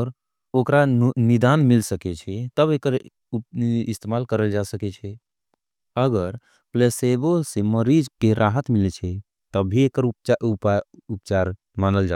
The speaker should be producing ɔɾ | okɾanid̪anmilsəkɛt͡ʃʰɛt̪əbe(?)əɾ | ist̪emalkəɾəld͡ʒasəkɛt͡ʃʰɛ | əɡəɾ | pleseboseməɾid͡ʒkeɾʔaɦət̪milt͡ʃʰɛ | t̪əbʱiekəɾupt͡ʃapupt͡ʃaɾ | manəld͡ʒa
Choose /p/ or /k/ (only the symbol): k